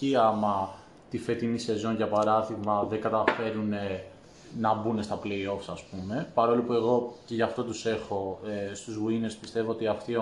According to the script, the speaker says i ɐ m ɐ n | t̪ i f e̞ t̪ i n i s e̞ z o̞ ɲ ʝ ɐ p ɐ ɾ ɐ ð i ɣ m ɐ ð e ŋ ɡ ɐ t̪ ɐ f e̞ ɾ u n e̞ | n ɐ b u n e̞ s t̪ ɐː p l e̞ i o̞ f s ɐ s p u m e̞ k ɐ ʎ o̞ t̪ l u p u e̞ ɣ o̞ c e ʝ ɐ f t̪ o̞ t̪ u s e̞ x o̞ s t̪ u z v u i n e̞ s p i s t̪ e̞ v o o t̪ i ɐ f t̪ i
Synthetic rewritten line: i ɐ m ɐ | t̪ i f e̞ t̪ i n i s e̞ z o̞ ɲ ʝ ɐ p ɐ ɾ ɐ ð i ɣ m ɐ ð e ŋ ɡ ɐ t̪ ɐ f e̞ ɾ u n e̞ | n ɐ b u n e̞ s t̪ ɐ p l e̞ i o̞ f s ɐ s p u m e̞ p ɐ ɾ o̞ l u p u e̞ ɣ o̞ c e ʝ ɐ f t̪ o̞ t̪ u s e̞ x o̞ s t̪ u z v u i n e̞ s p i s t̪ e̞ v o o t̪ i ɐ f t̪ i